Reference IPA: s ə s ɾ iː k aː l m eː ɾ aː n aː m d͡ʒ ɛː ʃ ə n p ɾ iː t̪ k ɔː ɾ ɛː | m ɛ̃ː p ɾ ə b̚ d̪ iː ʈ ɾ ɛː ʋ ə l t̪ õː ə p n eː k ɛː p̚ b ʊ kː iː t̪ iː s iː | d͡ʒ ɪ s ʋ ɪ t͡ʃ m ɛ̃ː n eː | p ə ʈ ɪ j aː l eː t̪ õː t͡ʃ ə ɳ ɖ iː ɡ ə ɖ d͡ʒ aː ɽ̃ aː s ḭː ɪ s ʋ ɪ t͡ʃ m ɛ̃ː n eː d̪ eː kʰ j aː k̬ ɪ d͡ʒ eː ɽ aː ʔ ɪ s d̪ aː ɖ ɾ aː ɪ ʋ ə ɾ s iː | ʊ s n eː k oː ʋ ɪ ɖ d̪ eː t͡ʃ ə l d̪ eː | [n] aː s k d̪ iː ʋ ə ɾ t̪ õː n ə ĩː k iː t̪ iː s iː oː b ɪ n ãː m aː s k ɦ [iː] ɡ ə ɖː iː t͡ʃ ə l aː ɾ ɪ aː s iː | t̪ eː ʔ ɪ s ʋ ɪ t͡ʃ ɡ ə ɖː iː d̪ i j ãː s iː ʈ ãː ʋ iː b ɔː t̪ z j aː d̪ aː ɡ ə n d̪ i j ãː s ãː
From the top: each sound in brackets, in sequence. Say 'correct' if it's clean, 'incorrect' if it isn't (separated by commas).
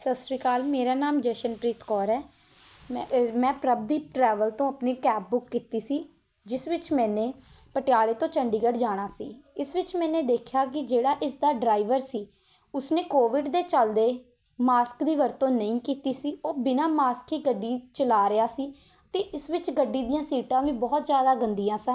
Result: incorrect, correct